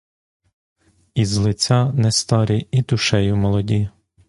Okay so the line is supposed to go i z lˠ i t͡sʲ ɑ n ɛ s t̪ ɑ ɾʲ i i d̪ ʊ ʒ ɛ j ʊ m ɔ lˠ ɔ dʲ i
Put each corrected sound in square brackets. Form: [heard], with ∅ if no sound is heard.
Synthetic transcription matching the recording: i z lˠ [ɪ] t͡sʲ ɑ n ɛ s t̪ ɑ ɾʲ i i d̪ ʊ [ʃ] ɛ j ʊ m ɔ lˠ ɔ dʲ i